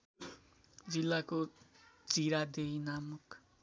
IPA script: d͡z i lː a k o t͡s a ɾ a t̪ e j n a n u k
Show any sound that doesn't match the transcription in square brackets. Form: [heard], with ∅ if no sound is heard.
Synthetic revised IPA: d͡z i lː a k o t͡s [i] ɾ a [d̪] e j n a [m] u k